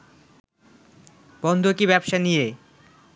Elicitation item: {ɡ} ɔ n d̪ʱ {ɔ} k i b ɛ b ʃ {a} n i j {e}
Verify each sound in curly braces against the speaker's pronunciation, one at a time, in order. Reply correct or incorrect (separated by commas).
incorrect, incorrect, correct, correct